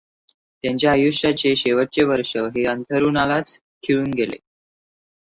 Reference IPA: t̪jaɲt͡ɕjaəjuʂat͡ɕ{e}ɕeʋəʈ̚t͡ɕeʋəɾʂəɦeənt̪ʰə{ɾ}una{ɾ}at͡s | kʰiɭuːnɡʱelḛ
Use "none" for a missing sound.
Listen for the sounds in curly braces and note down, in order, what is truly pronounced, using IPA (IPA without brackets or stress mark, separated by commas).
e, ɾ, l